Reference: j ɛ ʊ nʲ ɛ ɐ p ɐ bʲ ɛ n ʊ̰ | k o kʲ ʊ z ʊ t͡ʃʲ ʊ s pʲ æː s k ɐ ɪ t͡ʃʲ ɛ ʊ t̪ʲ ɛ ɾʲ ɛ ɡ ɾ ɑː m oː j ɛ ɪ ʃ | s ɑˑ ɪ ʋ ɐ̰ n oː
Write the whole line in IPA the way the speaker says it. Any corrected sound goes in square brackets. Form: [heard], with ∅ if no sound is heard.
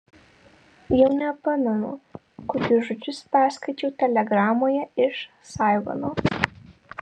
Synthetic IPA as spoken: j ɛ ʊ nʲ ɛ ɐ p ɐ [mʲ] ɛ n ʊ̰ | k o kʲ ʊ [ʒ] ʊ t͡ʃʲ ʊ s pʲ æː s k ɐ ɪ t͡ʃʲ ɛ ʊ t̪ʲ ɛ [lʲ] ɛ ɡ ɾ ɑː m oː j ɛ ɪ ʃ | s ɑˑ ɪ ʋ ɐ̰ n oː